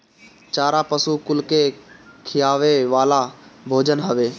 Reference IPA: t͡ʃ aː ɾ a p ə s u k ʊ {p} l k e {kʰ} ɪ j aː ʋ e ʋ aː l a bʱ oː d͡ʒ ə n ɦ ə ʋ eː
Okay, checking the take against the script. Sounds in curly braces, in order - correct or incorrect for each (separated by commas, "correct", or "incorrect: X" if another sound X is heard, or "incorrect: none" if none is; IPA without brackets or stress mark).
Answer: incorrect: none, correct